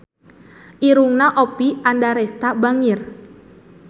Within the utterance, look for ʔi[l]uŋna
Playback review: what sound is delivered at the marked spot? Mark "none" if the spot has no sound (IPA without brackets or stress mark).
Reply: ɾ